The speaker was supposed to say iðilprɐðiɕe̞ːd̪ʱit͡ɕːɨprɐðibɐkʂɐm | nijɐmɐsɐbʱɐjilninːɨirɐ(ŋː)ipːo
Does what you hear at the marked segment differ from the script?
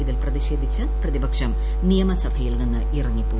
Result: no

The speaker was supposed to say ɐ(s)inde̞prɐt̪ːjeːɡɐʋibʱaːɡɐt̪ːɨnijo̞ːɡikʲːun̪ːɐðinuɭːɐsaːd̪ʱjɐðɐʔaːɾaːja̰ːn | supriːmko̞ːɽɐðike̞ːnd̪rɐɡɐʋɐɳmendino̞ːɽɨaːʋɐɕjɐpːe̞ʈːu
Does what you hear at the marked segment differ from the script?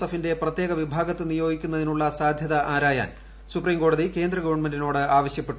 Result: yes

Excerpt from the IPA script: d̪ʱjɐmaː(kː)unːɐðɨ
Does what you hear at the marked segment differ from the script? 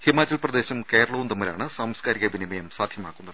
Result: no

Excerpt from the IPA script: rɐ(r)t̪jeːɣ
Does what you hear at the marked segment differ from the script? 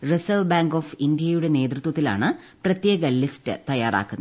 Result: yes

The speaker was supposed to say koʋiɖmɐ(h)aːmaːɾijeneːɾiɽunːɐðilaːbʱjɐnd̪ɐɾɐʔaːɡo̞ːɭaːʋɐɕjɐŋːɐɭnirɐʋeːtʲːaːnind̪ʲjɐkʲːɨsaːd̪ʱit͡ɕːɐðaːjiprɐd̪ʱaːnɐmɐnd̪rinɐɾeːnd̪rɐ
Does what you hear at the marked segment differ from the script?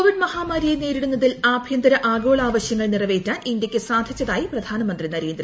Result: no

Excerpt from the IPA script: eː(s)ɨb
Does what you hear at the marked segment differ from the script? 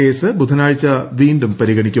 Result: no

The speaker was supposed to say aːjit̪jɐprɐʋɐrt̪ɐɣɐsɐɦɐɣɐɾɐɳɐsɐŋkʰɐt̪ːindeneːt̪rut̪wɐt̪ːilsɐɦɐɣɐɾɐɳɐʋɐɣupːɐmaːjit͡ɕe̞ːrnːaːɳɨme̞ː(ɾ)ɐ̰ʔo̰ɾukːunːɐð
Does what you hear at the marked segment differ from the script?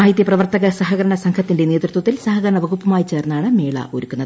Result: yes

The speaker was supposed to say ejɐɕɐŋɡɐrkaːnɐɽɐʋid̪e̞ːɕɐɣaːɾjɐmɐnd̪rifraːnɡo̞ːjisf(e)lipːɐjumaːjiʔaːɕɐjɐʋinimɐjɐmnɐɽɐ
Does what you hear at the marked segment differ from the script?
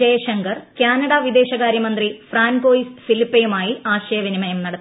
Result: yes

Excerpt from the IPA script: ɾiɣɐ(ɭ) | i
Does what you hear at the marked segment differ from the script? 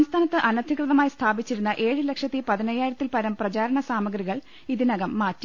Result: no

